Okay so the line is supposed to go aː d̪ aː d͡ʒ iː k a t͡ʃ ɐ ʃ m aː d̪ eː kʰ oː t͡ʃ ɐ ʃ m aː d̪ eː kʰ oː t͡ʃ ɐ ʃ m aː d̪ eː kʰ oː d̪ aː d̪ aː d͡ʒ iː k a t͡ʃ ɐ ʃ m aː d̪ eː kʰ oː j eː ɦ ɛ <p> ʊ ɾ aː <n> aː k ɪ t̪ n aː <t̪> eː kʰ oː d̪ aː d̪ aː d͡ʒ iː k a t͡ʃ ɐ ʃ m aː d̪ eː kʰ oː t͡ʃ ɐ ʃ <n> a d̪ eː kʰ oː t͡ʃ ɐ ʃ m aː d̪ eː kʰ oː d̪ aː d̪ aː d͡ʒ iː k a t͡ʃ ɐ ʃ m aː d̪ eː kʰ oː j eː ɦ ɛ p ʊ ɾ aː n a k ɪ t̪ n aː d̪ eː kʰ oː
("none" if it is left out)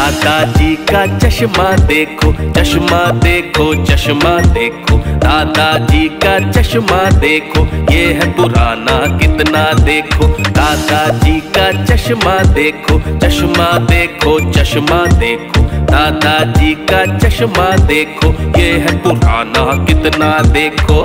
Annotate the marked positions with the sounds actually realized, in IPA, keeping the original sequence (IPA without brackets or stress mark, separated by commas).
p, n, d̪, m